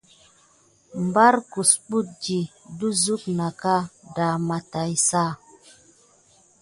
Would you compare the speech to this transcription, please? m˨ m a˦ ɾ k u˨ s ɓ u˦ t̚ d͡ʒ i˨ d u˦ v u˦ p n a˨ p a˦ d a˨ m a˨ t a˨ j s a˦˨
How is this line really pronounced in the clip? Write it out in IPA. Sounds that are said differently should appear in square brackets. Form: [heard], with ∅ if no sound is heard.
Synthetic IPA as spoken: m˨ [b] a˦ ɾ k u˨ s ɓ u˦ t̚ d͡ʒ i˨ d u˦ [z] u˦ [k] n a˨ [k] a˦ d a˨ m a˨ t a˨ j s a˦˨